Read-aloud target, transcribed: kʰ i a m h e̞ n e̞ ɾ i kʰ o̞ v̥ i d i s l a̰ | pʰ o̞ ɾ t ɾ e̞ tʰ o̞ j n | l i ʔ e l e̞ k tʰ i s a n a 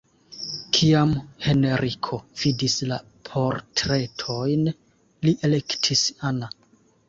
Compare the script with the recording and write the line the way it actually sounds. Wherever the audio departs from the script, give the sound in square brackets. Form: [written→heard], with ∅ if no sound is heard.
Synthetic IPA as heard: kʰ i a m h e̞ n e̞ ɾ i kʰ o̞ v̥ i d i s l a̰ | pʰ o̞ ɾ t ɾ e̞ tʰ o̞ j n | l i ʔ e l e̞ k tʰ i s a n a